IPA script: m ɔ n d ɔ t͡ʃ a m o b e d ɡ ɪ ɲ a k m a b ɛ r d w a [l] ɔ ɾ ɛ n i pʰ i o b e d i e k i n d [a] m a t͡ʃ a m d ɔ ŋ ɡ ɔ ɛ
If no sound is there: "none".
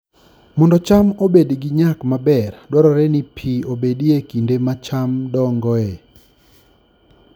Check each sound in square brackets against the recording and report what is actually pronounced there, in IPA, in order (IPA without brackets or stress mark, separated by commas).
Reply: ɾ, e